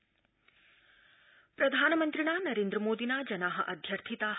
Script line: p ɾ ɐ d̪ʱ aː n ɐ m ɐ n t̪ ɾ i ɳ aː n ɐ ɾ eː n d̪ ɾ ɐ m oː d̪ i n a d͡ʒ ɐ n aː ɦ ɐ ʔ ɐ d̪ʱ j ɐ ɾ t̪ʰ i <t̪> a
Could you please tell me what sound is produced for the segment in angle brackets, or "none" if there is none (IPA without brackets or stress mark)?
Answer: t̪